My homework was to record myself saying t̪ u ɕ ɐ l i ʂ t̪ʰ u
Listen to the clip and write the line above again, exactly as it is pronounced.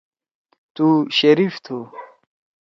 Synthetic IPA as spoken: t̪ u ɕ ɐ ɾ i f t̪ʰ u